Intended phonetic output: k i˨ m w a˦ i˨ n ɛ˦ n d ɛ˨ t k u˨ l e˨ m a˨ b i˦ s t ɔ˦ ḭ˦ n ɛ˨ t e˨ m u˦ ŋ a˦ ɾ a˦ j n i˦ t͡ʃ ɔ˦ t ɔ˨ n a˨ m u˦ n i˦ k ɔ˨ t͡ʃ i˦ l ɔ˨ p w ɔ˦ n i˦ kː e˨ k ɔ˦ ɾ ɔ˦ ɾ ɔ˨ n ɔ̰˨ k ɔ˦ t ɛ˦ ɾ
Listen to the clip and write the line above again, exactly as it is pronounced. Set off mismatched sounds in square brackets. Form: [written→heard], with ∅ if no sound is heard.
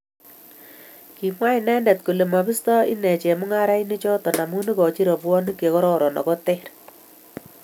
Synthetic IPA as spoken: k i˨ m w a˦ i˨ n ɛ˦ n d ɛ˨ t k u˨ l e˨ m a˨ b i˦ s t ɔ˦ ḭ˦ n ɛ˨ [t→t͡ʃ] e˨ m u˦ ŋ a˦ ɾ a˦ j n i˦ t͡ʃ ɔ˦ t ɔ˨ n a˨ m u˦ n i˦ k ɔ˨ t͡ʃ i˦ [l→ɾ] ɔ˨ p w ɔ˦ n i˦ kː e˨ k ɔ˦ ɾ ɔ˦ ɾ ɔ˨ n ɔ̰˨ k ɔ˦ t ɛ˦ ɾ